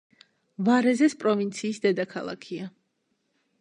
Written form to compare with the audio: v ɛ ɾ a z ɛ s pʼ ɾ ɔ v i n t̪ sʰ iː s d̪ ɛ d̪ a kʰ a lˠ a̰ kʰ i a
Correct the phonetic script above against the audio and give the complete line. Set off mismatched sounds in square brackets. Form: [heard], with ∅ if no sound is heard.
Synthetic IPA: v [a] ɾ [ɛ] z ɛ s pʼ ɾ ɔ v i n t̪ sʰ iː s d̪ ɛ d̪ a kʰ a lˠ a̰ kʰ i a